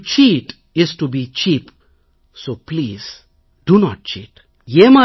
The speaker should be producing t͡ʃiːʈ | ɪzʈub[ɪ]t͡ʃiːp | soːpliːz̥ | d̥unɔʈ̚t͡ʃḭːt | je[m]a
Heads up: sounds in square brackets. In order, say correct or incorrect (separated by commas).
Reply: incorrect, correct